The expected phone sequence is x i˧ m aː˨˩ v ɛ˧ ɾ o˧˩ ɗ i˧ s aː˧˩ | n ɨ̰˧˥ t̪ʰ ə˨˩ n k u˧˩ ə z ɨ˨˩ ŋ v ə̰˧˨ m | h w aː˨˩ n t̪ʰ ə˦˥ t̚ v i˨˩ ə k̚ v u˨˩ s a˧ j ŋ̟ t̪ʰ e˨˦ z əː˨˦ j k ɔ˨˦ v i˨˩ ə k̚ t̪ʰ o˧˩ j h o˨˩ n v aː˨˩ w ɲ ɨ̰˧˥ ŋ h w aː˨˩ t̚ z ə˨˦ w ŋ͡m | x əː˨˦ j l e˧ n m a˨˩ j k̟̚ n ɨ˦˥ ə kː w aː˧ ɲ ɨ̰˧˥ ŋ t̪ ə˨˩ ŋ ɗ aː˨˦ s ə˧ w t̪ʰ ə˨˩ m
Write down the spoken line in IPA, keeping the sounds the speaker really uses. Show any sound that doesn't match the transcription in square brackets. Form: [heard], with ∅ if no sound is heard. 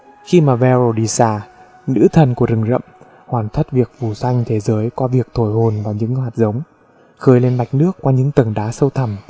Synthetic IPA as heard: x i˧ m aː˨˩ v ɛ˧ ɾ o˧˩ ɗ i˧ s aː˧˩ | n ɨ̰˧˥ t̪ʰ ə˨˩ n k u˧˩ ə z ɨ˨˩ ŋ [z] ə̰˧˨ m | h w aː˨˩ n t̪ʰ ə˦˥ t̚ v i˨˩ ə k̚ v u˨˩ s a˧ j ŋ̟ t̪ʰ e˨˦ z əː˨˦ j k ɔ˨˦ v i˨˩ ə k̚ t̪ʰ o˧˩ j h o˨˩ n v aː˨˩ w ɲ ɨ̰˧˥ ŋ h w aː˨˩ t̚ z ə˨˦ w ŋ͡m | x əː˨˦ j l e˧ n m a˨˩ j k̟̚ n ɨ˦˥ ə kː w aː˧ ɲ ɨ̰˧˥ ŋ t̪ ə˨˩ ŋ ɗ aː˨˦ s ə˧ w t̪ʰ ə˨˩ m